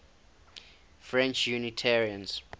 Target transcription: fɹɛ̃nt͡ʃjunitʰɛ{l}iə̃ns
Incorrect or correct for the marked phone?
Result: incorrect: ɹ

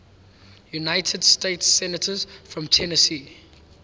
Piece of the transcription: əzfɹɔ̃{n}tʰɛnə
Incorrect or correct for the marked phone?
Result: incorrect: m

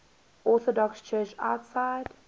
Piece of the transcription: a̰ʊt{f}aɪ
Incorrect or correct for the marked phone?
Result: incorrect: s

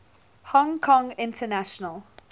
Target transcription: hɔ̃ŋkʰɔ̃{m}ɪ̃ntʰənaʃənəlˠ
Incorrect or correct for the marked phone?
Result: incorrect: ŋ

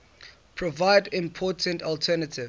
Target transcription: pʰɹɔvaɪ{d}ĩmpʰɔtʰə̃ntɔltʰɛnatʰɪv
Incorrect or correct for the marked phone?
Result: correct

